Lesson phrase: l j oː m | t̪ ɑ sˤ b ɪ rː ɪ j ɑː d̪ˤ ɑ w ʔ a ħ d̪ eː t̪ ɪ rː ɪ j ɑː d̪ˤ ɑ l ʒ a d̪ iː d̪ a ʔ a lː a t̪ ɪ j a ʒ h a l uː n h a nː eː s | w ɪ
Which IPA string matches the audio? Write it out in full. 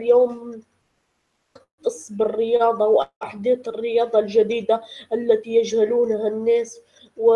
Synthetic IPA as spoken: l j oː m | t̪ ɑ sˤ b ɪ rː ɪ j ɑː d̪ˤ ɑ w ʔ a ħ d̪ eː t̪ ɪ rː ɪ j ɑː d̪ˤ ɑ l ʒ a d̪ iː d̪ a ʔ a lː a t̪ i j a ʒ h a l uː n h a nː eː s | w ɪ

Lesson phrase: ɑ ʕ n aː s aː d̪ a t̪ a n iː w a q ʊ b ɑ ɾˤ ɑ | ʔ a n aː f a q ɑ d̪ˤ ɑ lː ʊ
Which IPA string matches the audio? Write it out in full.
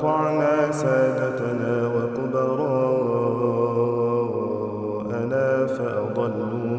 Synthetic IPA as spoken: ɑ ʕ n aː s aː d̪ a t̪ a n aː w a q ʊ b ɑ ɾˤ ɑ | ʔ a n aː f a ʔ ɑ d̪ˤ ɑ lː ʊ

